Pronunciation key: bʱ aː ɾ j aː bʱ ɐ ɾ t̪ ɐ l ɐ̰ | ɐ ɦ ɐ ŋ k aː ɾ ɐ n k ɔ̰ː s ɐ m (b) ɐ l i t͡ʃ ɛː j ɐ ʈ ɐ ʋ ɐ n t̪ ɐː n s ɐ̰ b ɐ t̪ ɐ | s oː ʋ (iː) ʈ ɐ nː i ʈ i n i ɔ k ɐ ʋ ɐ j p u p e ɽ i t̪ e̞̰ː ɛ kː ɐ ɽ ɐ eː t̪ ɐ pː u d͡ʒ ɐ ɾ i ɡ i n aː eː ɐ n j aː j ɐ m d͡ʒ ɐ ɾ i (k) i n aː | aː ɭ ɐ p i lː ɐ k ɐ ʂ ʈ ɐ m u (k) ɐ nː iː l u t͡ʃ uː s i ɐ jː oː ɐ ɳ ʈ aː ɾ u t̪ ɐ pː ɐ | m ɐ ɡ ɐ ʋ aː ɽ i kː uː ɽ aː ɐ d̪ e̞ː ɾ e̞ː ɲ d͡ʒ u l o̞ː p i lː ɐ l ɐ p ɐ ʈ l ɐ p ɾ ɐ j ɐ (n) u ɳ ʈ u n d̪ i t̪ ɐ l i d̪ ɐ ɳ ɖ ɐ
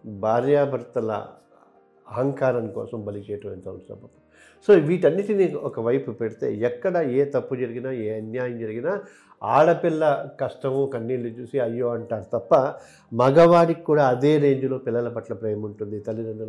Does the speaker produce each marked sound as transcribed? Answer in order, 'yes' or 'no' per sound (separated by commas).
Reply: yes, yes, no, yes, no